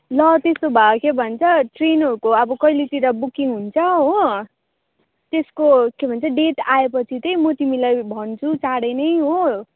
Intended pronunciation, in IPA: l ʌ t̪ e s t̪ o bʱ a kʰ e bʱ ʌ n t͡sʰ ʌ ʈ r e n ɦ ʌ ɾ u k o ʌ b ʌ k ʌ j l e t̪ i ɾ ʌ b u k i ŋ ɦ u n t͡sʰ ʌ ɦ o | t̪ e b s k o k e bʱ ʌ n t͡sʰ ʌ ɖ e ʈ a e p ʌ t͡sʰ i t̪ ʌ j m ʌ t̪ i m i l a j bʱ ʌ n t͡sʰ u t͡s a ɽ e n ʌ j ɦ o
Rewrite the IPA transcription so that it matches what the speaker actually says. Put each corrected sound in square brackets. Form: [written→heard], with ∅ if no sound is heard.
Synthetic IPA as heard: l ʌ t̪ e s t̪ o bʱ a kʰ e bʱ ʌ n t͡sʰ ʌ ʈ r e n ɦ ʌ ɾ u k o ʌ b ʌ k ʌ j l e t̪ i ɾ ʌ b u k i ŋ ɦ u n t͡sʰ ʌ ɦ o | t̪ e [b→∅] s k o k e bʱ ʌ n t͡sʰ ʌ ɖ e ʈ a e p ʌ t͡sʰ i t̪ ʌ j m ʌ t̪ i m i l a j bʱ ʌ n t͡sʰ u t͡s a ɽ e n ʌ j ɦ o